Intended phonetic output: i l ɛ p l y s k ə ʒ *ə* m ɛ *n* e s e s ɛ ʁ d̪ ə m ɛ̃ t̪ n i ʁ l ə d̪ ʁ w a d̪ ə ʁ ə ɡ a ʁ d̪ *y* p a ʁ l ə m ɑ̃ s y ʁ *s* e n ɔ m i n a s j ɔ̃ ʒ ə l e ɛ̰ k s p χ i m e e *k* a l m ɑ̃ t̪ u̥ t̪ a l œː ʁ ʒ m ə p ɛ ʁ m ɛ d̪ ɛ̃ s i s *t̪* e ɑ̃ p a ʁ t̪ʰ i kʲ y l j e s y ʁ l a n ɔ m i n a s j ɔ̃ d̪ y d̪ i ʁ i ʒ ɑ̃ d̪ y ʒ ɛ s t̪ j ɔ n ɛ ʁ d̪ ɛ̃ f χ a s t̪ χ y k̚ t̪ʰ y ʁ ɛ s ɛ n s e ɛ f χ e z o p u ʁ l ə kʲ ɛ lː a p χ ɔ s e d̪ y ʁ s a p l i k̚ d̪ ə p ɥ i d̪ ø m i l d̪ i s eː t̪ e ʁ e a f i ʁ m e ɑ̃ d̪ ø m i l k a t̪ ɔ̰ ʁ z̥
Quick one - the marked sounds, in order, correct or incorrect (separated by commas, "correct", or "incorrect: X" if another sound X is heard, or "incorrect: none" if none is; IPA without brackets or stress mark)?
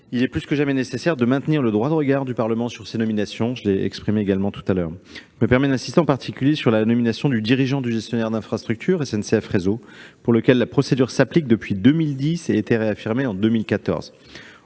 incorrect: a, correct, correct, correct, incorrect: ɡ, correct